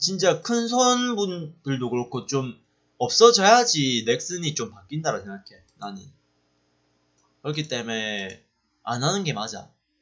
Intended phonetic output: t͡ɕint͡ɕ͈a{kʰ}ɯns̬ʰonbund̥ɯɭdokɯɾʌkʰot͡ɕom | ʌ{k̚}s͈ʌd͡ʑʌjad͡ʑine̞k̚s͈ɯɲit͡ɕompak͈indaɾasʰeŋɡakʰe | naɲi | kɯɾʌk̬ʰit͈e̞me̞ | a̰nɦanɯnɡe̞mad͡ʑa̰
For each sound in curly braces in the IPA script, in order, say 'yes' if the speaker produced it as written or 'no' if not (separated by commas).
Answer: yes, no